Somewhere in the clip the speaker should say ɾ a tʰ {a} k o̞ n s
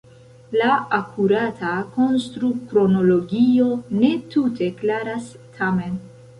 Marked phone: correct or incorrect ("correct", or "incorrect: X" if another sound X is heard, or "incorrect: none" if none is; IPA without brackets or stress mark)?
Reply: correct